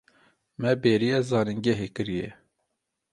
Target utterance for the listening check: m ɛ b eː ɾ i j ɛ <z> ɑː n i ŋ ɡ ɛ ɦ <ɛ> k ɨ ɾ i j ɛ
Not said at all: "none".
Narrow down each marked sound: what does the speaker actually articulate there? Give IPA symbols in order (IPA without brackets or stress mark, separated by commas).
z, e